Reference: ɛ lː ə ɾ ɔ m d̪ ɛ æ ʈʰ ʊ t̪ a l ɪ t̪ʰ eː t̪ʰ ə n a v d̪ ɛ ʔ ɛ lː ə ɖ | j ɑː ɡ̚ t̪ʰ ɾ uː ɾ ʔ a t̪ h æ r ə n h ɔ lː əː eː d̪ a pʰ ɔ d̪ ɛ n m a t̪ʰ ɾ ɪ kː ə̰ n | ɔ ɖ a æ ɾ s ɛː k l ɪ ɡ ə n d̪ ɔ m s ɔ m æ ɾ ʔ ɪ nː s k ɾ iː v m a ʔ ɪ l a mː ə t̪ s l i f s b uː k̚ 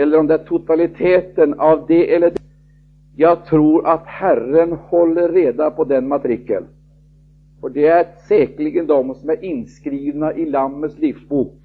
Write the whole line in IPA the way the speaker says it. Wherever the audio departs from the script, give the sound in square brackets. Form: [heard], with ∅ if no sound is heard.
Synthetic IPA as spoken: ɛ lː ə ɾ ɔ m d̪ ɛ æ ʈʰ ʊ t̪ a l ɪ t̪ʰ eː [t̪] ə n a v d̪ ɛ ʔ ɛ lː ə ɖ | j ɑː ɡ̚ t̪ʰ ɾ uː ɾ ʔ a t̪ h æ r ə n h ɔ lː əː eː d̪ a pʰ ɔ d̪ ɛ n m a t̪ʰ ɾ ɪ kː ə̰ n | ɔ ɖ [ɛ] æ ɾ s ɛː k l ɪ ɡ ə n d̪ ɔ m s ɔ m æ ɾ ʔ ɪ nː s k ɾ iː v [n] a ʔ ɪ l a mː ə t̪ s l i f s b uː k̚